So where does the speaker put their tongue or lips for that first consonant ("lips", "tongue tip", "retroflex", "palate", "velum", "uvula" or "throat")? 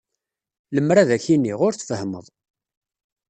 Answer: tongue tip